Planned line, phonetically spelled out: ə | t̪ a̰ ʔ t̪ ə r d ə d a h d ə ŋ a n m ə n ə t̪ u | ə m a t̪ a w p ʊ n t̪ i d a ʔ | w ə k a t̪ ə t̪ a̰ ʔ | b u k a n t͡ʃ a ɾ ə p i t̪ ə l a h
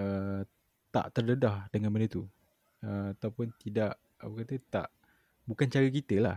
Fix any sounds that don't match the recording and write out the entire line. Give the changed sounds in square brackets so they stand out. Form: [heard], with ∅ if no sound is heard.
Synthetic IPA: ə | t̪ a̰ ʔ t̪ ə r d ə d a h d ə ŋ a n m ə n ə t̪ u | ə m a t̪ a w p ʊ n t̪ i d a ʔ | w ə k a t̪ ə t̪ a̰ ʔ | b u k a n t͡ʃ a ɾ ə [k] i t̪ ə l a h